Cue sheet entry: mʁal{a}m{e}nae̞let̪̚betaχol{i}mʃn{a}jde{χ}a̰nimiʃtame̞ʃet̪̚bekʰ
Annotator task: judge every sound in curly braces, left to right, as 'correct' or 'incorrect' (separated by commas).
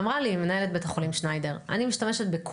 incorrect, correct, correct, correct, incorrect